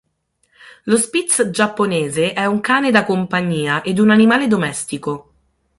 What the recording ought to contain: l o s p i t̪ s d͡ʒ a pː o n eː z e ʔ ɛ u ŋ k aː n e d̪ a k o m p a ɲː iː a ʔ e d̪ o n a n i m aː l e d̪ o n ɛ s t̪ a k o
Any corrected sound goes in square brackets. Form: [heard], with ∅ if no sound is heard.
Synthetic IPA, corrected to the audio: l o s p i t̪ s d͡ʒ a pː o n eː z e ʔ ɛ u ŋ k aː n e d̪ a k o m p a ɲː iː a ʔ e d̪ [u] n a n i m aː l e d̪ o [m] ɛ s t̪ [i] k o